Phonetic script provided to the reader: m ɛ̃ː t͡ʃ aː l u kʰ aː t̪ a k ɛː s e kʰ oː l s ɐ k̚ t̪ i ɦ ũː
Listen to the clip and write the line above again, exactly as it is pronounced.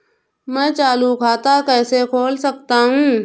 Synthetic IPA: m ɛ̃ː t͡ʃ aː l u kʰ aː t̪ a k ɛː s e kʰ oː l s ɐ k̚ t̪ a ɦ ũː